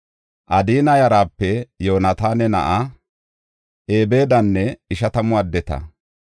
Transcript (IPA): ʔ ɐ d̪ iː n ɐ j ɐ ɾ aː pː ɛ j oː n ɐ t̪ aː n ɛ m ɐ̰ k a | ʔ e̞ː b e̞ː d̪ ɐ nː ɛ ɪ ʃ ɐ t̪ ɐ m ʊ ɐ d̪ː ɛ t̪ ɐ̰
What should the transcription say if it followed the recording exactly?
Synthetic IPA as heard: ʔ ɐ d̪ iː n ɐ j ɐ ɾ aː pː ɛ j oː n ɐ t̪ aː n ɛ n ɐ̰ ʔ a | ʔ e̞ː b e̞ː d̪ ɐ nː ɛ ɪ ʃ ɐ t̪ ɐ m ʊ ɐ d̪ː ɛ t̪ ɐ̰